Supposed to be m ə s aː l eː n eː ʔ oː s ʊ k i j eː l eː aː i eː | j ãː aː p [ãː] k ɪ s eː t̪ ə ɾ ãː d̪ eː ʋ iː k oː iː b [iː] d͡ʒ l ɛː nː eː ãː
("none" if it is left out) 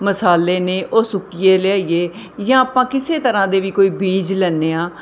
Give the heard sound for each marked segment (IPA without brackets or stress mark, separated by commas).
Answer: ãː, iː